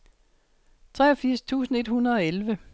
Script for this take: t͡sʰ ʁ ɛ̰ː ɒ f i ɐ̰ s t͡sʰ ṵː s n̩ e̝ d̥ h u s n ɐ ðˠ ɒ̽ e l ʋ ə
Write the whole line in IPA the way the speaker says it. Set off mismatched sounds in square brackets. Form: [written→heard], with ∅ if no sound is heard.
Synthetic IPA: t͡sʰ ʁ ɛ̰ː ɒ f i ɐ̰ s t͡sʰ ṵː s n̩ e̝ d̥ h u [s→∅] n ɐ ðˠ ɒ̽ e l ʋ ə